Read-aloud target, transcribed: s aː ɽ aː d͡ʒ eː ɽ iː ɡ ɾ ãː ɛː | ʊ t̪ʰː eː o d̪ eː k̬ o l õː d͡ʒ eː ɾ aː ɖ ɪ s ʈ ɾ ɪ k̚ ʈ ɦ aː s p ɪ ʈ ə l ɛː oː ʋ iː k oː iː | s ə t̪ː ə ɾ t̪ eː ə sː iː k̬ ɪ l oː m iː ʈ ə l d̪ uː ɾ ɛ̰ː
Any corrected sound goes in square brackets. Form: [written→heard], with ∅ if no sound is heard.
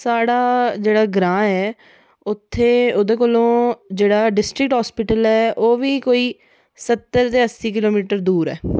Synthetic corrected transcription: s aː ɽ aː d͡ʒ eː ɽ [iː→aː] ɡ ɾ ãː ɛː | ʊ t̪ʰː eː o d̪ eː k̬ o l õː d͡ʒ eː [ɾ→ɽ] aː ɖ ɪ s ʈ ɾ ɪ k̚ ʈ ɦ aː s p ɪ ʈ ə l ɛː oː ʋ iː k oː iː | s ə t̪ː ə ɾ t̪ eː ə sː iː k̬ ɪ l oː m iː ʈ ə [l→ɾ] d̪ uː ɾ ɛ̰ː